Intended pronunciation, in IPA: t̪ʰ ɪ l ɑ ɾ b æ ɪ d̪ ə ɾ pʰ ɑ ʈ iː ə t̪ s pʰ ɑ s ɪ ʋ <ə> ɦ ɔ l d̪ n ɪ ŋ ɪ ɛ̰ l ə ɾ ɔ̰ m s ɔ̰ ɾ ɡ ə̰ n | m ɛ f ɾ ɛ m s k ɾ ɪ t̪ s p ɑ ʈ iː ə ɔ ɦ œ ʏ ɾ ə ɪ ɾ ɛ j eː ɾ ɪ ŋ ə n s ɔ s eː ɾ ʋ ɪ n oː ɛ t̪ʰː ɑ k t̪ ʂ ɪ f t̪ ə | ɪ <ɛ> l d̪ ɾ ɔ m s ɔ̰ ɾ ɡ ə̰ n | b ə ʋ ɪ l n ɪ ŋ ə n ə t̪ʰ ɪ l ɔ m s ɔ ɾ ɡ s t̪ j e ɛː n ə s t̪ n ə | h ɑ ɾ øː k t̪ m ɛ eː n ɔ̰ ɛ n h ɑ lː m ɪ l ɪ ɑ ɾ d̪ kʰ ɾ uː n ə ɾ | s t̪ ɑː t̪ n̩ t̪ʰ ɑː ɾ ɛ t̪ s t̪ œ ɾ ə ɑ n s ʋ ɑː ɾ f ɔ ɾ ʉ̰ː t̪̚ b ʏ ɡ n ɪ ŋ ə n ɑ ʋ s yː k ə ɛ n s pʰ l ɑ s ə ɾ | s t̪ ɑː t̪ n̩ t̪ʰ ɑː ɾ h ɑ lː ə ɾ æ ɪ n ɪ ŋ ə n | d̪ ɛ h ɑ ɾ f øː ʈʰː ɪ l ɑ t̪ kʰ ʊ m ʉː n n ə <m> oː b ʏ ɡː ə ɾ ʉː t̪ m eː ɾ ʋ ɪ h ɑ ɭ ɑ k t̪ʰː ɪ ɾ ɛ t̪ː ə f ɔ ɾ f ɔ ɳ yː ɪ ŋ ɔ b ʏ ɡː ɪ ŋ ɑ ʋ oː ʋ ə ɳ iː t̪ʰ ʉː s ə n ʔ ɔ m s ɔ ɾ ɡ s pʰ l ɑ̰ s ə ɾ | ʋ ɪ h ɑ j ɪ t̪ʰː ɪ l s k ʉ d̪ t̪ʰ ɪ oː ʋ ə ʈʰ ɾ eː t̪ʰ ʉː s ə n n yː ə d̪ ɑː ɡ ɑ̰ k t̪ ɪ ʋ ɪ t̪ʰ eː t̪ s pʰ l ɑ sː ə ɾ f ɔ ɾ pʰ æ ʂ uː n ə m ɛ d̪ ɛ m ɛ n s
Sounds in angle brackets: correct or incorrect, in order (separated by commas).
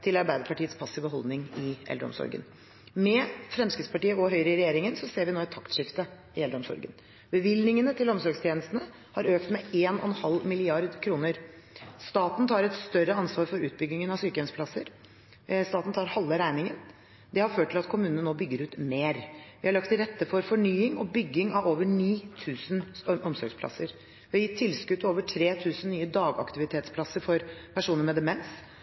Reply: correct, correct, incorrect